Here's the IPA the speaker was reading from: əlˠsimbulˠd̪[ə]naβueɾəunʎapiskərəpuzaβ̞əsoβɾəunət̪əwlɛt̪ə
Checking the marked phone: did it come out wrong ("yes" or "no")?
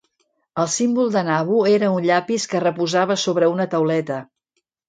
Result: no